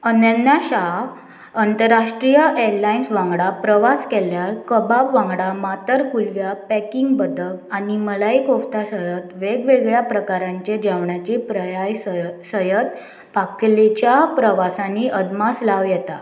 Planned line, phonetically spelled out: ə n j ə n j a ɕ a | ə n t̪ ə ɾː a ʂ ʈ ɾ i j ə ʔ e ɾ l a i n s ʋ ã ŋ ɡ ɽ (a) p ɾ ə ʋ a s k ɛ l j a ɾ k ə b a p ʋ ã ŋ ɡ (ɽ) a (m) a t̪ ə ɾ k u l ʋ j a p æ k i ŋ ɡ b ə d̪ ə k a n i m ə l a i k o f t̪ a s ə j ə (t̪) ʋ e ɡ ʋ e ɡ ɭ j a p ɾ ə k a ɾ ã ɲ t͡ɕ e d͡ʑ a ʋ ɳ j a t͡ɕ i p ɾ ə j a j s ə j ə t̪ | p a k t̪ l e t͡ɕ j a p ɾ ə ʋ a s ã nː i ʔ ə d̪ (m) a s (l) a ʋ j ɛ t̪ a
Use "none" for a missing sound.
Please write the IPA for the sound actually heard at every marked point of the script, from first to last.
a, ɽ, m, t̪, m, l

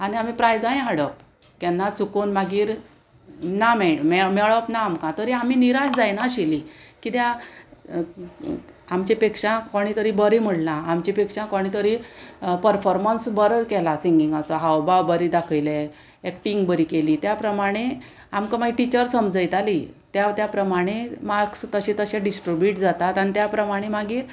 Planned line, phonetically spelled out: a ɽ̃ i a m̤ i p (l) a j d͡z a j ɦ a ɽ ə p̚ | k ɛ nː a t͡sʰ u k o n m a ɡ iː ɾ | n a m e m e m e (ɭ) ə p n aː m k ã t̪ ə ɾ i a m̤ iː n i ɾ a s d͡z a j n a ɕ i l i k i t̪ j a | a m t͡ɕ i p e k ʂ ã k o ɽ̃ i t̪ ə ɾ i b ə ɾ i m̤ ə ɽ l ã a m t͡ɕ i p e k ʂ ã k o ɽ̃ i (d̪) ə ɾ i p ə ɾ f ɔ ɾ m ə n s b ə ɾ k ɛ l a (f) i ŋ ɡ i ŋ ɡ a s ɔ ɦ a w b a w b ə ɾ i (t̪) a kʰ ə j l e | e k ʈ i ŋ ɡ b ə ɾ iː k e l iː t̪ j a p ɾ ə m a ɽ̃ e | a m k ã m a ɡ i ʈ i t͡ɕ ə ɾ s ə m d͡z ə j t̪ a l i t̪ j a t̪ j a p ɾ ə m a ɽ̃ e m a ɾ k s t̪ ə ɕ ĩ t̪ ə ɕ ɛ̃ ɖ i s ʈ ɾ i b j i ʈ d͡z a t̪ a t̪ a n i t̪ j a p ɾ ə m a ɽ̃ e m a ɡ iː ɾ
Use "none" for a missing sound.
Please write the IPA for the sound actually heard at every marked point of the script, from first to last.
ɾ, ɭ, t̪, s, d̪

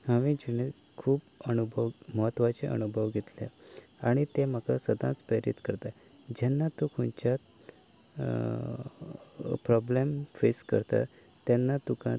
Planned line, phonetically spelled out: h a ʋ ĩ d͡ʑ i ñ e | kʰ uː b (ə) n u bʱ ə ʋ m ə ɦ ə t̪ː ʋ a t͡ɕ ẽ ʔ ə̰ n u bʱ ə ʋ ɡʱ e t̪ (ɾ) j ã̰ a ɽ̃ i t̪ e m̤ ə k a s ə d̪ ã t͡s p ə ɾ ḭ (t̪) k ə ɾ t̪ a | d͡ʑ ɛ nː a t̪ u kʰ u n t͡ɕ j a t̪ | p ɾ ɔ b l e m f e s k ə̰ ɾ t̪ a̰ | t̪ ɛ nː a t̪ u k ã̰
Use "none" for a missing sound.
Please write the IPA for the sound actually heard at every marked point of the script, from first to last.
ə, l, t̪

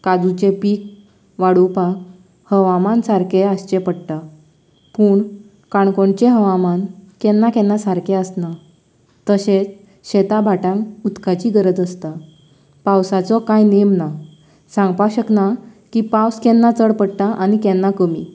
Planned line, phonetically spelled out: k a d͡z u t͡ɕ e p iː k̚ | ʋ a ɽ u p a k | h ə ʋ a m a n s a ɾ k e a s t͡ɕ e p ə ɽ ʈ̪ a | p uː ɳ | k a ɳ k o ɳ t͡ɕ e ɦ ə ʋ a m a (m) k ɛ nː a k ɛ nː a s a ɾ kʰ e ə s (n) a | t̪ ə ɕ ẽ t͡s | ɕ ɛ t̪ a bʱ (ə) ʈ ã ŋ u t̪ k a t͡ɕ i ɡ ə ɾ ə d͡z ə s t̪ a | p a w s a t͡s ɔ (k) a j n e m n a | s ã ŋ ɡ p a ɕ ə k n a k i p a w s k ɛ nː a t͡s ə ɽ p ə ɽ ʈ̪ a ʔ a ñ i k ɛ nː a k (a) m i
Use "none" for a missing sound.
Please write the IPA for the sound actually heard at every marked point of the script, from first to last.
n, n, a, k, ə

